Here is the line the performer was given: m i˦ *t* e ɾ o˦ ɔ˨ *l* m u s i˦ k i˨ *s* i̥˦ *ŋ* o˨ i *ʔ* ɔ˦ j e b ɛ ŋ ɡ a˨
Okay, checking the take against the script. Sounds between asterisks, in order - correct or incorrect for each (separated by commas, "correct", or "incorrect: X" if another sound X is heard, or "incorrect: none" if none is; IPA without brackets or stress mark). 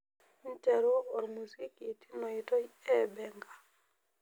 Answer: correct, incorrect: ɾ, incorrect: t, incorrect: n, incorrect: t